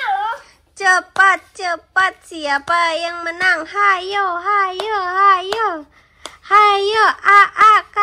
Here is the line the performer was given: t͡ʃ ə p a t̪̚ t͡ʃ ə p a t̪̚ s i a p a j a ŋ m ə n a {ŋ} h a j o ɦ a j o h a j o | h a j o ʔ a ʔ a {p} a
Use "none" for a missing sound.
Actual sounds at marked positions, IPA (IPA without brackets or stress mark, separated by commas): ŋ, k